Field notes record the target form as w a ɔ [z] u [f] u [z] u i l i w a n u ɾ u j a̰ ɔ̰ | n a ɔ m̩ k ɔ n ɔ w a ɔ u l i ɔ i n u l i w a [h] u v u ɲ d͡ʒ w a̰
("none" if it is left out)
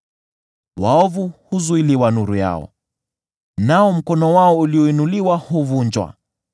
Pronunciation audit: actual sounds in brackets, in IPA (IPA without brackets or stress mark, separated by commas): v, h, z, h